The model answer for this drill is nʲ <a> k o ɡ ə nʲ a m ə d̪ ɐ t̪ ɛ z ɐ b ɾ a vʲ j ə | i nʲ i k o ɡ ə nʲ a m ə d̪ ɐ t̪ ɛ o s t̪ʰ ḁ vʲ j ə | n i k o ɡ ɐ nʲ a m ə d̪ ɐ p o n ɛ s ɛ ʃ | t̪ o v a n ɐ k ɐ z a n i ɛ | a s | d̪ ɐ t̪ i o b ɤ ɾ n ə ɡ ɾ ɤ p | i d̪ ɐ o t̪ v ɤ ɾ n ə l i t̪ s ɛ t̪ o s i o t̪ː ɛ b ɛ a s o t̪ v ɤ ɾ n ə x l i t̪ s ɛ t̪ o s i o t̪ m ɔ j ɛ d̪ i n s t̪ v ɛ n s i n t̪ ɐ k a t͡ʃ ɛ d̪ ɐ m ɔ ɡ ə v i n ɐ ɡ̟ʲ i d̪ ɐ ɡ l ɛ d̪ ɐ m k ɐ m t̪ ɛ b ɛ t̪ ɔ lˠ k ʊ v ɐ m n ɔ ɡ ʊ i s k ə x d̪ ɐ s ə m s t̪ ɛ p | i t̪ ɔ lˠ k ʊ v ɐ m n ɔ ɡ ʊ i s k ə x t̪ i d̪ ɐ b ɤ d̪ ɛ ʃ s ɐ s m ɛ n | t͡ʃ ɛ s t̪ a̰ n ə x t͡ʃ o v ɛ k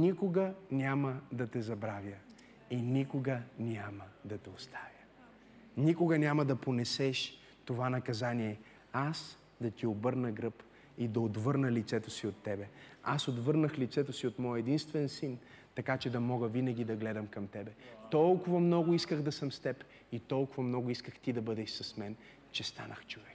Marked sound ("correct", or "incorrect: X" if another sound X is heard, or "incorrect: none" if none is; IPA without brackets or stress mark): incorrect: i